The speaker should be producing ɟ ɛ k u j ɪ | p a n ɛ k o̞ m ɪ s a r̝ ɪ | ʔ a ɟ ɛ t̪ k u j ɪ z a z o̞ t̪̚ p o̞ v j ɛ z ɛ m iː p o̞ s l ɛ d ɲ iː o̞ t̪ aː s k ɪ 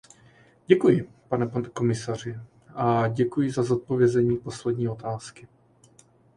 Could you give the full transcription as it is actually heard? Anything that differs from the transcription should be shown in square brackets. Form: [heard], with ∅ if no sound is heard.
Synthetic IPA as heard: ɟ ɛ k u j ɪ | p a n ɛ k o̞ m ɪ s a r̝ ɪ | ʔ a ɟ ɛ [∅] k u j ɪ z a z o̞ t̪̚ p o̞ v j ɛ z ɛ [ɲ] iː p o̞ s l ɛ d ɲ iː o̞ t̪ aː s k ɪ